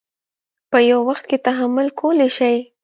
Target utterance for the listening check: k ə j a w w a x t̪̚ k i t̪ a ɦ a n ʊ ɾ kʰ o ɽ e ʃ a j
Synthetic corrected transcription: p ə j a w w a x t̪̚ k e t̪ a ɦ a m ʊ l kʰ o l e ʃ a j